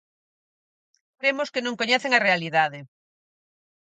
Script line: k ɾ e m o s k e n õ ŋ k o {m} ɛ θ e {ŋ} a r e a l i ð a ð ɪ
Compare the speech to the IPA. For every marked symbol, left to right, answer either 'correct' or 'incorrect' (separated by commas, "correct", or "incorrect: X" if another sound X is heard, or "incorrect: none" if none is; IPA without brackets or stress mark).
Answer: incorrect: ɲ, correct